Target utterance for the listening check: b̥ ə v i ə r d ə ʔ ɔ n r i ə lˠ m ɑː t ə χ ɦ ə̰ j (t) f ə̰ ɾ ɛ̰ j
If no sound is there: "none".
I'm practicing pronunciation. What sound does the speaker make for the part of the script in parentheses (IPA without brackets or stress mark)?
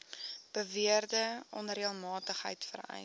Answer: t